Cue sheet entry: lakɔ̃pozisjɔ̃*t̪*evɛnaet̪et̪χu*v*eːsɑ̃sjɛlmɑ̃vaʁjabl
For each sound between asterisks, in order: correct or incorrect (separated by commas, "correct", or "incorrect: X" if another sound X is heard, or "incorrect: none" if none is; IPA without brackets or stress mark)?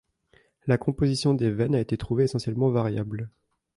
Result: incorrect: d̪, correct